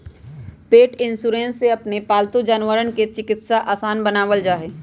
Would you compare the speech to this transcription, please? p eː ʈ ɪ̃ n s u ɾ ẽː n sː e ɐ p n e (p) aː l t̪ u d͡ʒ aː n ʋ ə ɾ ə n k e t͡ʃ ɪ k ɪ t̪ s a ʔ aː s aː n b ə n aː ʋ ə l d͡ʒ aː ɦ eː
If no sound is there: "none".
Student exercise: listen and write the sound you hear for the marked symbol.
p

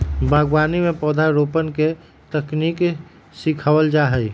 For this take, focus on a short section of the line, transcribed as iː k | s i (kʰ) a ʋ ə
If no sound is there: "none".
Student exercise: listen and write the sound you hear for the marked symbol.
kʰ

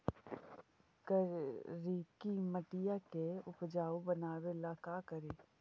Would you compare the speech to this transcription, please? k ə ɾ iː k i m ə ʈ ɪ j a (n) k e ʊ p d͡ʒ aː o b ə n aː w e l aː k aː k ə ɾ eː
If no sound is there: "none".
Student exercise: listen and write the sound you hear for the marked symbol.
none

